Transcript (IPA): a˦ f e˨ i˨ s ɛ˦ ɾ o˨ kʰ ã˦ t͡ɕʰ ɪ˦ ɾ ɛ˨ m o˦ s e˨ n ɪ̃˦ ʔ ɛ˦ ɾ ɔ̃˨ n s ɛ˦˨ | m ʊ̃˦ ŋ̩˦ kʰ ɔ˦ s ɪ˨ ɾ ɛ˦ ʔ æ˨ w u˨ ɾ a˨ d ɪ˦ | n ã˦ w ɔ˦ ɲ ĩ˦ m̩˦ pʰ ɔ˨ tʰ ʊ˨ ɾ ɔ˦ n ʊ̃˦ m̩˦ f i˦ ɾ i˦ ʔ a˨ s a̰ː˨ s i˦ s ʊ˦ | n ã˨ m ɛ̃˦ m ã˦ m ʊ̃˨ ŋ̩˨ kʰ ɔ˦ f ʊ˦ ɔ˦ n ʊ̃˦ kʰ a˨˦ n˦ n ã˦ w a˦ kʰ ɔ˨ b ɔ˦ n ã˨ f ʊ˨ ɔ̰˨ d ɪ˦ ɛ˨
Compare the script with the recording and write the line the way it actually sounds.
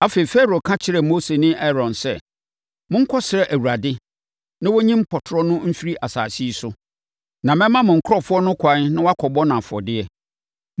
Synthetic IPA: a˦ f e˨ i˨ f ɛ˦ ɾ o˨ kʰ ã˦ t͡ɕʰ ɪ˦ ɾ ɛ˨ m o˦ s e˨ n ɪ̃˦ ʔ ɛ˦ ɾ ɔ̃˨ n s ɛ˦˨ | m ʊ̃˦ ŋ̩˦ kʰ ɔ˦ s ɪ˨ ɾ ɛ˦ ʔ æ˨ w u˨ ɾ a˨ d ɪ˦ | n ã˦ w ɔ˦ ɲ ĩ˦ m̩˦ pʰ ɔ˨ tʰ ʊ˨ ɾ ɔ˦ n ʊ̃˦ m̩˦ f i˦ ɾ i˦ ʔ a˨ s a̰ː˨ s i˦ s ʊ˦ | n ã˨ m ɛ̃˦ m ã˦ m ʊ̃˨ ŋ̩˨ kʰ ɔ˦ f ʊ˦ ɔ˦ n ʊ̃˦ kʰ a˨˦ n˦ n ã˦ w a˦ kʰ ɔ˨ b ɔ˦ n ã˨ f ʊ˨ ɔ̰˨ d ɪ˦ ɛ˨